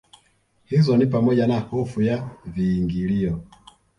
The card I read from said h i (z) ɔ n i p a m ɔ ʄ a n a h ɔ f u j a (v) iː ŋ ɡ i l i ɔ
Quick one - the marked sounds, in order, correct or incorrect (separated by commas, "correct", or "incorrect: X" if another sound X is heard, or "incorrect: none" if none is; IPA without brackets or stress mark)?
correct, correct